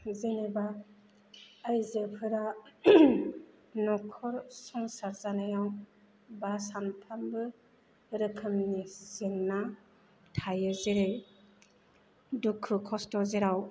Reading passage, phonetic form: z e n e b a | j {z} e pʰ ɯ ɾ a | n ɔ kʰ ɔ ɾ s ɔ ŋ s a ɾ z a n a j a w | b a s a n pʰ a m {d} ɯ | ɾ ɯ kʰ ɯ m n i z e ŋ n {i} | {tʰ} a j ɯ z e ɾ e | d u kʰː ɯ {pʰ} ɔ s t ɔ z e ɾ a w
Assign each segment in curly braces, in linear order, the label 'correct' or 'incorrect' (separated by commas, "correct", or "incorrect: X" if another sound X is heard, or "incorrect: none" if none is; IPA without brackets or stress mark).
correct, incorrect: b, incorrect: a, correct, incorrect: kʰ